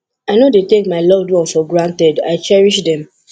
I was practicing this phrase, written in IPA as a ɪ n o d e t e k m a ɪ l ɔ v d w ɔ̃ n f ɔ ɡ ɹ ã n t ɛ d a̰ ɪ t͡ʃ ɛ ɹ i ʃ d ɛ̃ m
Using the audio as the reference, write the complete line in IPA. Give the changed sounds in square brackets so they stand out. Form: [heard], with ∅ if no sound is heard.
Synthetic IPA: a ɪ n o d e t e k m a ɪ l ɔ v d w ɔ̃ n f ɔ ɡ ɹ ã n t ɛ d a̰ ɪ t͡ʃ ɛ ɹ i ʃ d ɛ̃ m